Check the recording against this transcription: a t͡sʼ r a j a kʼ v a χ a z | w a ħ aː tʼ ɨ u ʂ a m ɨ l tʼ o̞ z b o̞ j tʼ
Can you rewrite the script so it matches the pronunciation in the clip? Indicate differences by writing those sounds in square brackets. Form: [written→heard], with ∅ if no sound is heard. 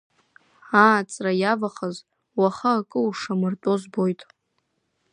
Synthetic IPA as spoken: a t͡sʼ r a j a [kʼ→∅] v a χ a z | w a [ħ→χ] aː [tʼ→kʼ] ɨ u ʂ a m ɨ [l→r] tʼ o̞ z b o̞ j tʼ